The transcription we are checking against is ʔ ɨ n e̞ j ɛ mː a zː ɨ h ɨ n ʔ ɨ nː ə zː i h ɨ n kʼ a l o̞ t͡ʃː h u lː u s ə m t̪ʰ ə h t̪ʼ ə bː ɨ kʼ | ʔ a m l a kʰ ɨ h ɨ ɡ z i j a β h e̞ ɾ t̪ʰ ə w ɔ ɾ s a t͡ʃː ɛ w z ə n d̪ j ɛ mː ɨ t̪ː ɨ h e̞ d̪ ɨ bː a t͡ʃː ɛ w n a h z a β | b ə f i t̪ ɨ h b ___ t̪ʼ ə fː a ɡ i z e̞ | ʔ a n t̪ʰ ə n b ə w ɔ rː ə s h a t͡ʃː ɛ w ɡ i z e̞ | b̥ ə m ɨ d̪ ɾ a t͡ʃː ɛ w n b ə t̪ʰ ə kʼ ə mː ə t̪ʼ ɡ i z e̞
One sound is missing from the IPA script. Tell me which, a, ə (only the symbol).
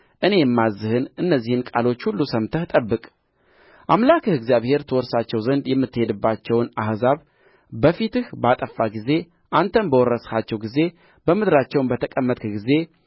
a